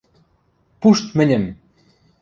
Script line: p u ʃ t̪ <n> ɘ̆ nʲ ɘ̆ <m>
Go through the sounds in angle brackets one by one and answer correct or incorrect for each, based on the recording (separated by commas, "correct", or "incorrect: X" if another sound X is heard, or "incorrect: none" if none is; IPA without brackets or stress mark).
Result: incorrect: m, correct